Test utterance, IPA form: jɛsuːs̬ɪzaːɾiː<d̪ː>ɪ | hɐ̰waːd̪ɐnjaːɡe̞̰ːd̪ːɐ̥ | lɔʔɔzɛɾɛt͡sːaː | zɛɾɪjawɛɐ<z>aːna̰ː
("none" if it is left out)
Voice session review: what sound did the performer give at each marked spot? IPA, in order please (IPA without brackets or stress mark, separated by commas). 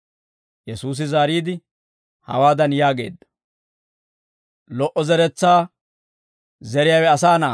d̪, s